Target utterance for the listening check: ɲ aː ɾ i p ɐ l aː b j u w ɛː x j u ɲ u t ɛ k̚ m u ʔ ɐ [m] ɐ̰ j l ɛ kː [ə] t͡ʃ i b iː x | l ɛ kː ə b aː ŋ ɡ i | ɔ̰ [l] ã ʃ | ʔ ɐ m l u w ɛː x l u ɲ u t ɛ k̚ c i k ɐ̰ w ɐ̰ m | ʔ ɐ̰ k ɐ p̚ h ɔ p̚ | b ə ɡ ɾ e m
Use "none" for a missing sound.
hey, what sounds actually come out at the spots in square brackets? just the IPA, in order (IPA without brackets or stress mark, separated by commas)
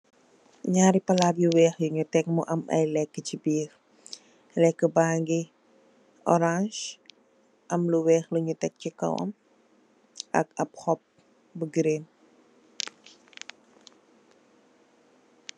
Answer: m, ə, ɾ